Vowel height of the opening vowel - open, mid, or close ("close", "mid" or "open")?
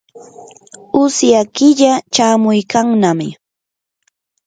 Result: close